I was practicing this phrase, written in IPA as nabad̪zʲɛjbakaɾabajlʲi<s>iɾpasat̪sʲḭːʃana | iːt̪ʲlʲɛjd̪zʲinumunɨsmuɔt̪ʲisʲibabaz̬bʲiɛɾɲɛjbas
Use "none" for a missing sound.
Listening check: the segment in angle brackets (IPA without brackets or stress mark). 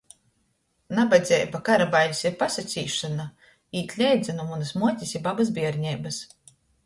s